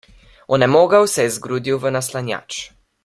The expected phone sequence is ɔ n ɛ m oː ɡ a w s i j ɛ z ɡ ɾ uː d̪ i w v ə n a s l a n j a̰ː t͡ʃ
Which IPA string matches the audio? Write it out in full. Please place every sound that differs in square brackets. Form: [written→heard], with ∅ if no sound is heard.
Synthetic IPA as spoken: ɔ n ɛ m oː ɡ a w s [i→ɛ] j ɛ z ɡ ɾ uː d̪ i w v ə n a s l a n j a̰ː t͡ʃ